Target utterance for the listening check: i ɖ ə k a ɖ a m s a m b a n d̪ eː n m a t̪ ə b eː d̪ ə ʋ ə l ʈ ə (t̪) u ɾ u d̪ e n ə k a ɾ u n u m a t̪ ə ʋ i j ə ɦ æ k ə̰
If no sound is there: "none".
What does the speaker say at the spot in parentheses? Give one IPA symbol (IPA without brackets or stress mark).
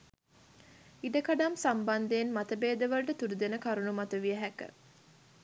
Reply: t̪